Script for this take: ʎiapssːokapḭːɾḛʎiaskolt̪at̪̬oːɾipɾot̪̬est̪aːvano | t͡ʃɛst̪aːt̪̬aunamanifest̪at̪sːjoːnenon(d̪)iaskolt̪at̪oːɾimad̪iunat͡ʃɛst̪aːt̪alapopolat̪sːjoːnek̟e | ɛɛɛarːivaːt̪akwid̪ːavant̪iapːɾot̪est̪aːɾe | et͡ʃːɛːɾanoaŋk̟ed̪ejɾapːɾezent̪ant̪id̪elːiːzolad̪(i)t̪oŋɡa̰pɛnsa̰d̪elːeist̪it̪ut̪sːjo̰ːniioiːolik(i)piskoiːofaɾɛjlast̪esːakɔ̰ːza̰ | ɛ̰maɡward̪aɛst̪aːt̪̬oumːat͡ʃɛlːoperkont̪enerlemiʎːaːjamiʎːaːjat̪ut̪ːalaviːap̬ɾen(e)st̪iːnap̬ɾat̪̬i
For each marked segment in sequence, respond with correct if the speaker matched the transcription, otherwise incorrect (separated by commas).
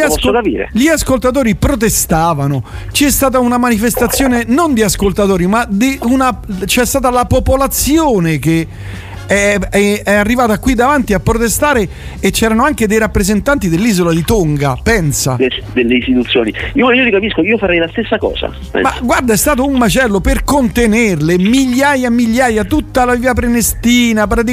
correct, correct, incorrect, correct